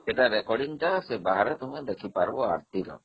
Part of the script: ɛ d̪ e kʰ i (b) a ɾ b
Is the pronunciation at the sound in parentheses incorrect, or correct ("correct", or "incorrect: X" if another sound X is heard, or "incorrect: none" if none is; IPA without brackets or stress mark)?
incorrect: p